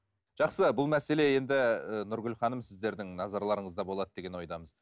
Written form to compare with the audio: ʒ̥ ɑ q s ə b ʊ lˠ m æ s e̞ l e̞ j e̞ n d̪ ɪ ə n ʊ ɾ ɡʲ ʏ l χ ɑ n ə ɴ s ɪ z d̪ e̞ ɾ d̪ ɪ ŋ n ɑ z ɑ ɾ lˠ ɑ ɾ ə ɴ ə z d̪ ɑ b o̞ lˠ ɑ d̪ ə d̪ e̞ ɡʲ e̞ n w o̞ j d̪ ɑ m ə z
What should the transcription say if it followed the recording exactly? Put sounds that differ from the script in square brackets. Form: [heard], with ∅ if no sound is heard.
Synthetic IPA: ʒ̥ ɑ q s ə b ʊ lˠ m æ s e̞ l e̞ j e̞ n d̪ ɪ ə n ʊ ɾ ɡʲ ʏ l χ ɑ n ə [m] s ɪ z d̪ e̞ ɾ d̪ ɪ ŋ n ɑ z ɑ ɾ lˠ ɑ ɾ ə ɴ ə z d̪ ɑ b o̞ lˠ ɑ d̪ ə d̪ e̞ ɡʲ e̞ n w o̞ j d̪ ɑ m ə z